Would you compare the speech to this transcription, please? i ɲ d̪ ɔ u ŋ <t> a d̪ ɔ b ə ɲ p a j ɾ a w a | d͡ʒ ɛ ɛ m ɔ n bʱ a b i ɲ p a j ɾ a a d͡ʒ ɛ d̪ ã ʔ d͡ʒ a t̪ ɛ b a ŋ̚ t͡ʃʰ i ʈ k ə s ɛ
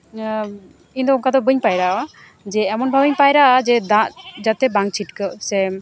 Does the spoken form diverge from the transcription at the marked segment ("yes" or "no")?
yes